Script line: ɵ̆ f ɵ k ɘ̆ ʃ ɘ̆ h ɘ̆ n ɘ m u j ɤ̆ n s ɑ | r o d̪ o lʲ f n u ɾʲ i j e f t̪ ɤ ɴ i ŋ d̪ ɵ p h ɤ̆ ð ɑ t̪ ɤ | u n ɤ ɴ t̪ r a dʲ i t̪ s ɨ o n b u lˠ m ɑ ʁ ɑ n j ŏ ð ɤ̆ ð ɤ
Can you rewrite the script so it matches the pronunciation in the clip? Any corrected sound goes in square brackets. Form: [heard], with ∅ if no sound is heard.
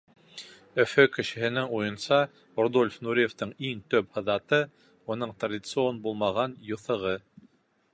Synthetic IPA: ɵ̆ f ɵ k ɘ̆ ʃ ɘ̆ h ɘ̆ n ɘ [ŋ] u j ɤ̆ n s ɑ | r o d̪ o lʲ f n u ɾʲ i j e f t̪ ɤ ɴ i ŋ [t̪] ɵ p h ɤ̆ ð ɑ t̪ ɤ | u n ɤ ɴ t̪ r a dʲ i t̪ s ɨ o n b u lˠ m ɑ ʁ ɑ n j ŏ [θ] ɤ̆ [ʁ] ɤ